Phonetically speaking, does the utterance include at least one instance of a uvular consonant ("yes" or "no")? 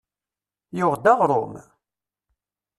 yes